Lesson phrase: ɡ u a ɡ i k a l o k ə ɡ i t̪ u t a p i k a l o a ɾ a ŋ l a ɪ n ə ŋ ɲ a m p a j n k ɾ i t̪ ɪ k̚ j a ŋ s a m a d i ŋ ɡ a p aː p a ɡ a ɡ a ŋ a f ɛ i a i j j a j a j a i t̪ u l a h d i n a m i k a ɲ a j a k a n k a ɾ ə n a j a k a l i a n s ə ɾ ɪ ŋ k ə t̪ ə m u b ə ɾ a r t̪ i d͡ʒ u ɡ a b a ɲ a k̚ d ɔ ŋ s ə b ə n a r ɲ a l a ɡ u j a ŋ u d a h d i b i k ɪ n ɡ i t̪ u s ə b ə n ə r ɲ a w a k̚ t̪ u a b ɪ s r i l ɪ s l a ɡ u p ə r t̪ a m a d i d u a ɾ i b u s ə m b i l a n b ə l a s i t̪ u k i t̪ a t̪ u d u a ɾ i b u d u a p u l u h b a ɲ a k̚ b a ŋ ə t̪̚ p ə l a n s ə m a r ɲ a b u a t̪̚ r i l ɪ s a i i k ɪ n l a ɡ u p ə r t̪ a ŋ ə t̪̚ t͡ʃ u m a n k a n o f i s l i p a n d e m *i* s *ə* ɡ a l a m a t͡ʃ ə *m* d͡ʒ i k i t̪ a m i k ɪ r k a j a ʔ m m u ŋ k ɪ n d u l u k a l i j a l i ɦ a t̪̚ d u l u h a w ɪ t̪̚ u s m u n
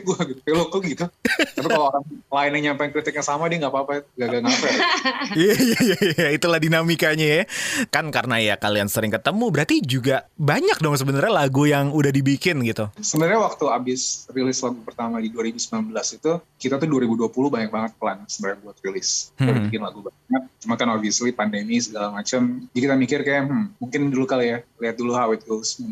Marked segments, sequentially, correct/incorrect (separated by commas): correct, correct, correct